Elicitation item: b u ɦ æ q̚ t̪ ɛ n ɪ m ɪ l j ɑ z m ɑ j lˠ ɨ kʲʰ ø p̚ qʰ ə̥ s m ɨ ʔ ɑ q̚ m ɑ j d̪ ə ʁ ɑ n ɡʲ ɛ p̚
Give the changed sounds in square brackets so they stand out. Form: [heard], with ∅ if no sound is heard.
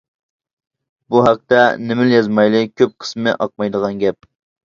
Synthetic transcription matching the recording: b u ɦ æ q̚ t̪ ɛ n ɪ m ɪ l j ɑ z m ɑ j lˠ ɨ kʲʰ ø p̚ qʰ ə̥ s m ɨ ʔ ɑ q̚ m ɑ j d̪ ə ʁ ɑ n ɡʲ ɛ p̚